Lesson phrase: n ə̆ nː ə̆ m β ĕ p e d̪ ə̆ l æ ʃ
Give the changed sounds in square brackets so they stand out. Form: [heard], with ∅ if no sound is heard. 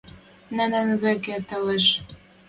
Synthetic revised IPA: n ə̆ [n] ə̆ [n] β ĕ [k] e [t̪] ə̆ l [e] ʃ